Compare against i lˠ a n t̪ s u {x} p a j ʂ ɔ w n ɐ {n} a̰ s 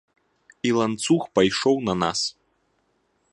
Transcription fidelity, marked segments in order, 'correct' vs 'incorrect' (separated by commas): correct, correct